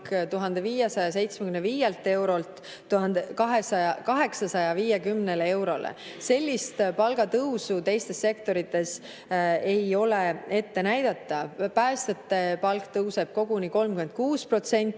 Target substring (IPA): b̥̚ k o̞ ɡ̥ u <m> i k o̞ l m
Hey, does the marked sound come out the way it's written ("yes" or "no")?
no